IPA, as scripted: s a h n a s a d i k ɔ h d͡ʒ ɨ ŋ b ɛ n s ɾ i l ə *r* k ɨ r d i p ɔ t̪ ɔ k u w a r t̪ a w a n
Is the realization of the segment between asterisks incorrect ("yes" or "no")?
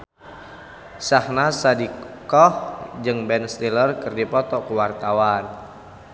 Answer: no